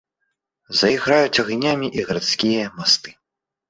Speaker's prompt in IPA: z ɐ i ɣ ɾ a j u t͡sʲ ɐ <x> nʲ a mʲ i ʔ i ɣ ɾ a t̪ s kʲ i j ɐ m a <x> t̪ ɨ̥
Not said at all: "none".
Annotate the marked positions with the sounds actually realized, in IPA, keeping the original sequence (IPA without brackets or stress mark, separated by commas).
ɣ, s